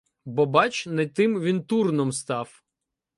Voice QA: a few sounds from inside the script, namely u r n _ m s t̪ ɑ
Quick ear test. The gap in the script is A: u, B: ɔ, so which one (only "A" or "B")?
B